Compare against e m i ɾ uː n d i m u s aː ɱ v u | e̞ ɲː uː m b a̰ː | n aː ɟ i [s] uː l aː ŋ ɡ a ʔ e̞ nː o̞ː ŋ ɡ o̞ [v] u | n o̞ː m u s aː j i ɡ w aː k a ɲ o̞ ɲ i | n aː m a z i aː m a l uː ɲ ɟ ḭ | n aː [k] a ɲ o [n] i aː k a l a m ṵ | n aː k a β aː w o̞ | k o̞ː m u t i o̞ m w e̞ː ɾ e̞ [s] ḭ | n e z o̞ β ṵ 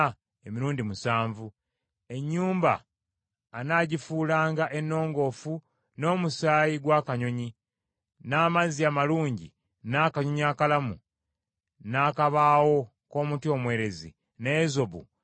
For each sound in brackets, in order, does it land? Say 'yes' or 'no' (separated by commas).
no, no, yes, no, no